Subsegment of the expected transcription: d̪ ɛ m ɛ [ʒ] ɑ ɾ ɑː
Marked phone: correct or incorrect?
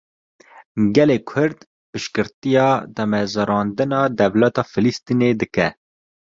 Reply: incorrect